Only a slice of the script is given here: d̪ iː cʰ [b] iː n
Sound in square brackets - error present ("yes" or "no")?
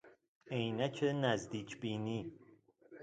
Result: no